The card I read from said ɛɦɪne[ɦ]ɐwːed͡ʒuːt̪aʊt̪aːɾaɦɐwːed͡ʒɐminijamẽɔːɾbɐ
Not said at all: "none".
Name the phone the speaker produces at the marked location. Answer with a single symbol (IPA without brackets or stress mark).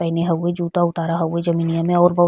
ɦ